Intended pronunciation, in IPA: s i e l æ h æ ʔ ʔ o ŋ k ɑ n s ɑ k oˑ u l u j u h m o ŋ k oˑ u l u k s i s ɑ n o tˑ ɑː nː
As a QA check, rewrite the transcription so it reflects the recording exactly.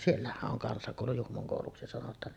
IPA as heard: s i e lː æ h æ ʔ ʔ o ŋ k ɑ n s ɑ k oˑ u l u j u h m o ŋ k oˑ u l u k s i s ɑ n o tˑ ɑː n